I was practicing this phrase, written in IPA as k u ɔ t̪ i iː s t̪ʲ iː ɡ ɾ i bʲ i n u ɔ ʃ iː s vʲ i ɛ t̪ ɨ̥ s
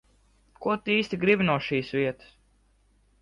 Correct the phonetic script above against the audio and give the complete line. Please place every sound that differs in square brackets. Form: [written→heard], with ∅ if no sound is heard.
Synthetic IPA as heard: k u ɔ t̪ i iː s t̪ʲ [iː→i] ɡ ɾ i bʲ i n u ɔ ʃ iː s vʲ i ɛ t̪ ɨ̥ s